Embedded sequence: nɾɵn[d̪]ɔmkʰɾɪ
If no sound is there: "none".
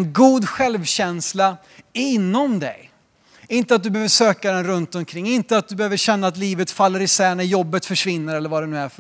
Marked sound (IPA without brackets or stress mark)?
t̪